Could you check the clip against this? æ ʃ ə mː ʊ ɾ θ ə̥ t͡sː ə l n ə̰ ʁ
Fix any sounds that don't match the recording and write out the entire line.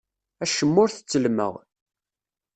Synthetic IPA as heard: æ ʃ ə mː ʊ ɾ θ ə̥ t͡sː ə l m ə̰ ʁ